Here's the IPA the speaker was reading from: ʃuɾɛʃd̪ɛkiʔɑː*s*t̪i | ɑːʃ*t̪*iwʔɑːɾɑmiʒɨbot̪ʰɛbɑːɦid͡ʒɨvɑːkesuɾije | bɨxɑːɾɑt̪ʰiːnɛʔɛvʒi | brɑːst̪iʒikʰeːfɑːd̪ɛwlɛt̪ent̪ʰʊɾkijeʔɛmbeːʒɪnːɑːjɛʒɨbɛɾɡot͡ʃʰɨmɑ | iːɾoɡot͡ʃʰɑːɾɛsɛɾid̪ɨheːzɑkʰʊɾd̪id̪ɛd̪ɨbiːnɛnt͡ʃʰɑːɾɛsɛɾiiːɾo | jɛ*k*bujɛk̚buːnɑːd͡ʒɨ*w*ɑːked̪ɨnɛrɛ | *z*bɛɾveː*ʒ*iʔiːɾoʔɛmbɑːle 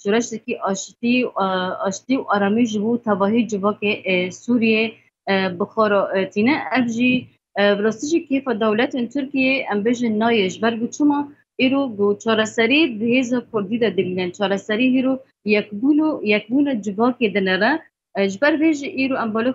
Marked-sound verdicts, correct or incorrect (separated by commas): incorrect, correct, correct, incorrect, incorrect, correct